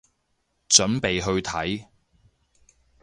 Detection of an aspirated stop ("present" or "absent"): present